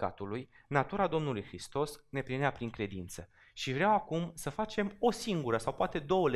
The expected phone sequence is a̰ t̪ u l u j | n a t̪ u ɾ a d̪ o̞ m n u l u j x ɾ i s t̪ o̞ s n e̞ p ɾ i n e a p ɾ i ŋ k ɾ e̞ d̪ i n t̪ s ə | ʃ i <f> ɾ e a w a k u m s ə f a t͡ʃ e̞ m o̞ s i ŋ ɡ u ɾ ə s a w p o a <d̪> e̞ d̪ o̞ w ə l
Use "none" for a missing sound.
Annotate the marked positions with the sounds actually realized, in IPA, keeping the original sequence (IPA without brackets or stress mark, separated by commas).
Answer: v, t̪